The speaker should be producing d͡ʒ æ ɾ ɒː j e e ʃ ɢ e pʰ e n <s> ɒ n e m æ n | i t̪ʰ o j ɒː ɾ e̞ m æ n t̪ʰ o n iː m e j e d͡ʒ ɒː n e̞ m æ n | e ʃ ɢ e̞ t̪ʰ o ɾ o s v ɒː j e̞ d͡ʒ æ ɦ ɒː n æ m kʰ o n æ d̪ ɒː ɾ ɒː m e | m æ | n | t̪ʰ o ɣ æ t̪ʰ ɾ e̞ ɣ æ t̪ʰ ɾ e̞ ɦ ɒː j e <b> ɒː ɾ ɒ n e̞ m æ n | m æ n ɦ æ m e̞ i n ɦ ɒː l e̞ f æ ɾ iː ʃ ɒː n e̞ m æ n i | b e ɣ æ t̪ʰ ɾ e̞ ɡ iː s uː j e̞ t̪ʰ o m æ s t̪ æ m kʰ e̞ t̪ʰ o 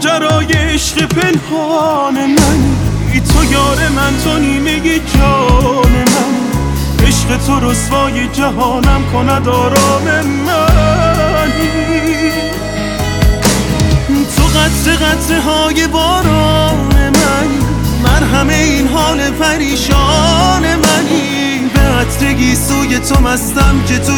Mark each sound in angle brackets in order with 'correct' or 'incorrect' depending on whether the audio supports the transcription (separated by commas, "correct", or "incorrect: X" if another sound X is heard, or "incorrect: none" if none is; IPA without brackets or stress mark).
incorrect: h, correct